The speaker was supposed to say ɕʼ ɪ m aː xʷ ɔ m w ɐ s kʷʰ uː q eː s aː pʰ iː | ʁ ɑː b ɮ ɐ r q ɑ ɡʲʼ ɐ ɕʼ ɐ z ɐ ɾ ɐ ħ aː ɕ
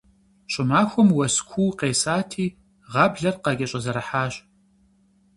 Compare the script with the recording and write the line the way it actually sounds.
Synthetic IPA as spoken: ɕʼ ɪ m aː xʷ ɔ m w ɐ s kʷʰ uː q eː s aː tʰ iː | ʁ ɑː b ɮ ɐ r q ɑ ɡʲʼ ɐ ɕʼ ɐ z ɐ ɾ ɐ ħ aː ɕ

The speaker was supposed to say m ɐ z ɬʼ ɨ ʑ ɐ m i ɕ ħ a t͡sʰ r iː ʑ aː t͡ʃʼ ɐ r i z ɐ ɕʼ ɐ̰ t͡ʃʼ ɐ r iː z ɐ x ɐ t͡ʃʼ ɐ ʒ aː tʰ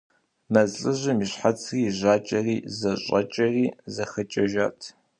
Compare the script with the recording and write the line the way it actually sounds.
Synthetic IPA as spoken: m ɐ z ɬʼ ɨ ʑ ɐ m i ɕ ħ a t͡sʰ r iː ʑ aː t͡ʃʼ ɐ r iː z ɐ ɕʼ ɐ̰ t͡ʃʼ ɐ r iː z ɐ x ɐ t͡ʃʼ ɐ ʒ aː tʰ

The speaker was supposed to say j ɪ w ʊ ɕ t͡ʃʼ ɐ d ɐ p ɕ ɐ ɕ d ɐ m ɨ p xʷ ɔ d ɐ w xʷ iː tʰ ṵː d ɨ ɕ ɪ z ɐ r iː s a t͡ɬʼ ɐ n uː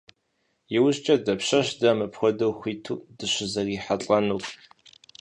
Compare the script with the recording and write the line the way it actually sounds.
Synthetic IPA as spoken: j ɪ w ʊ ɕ t͡ʃʼ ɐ d ɐ p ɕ ɐ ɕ d ɐ m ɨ p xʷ ɔ d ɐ w xʷ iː tʰ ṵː d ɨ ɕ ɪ z ɐ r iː ħ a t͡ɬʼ ɐ n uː

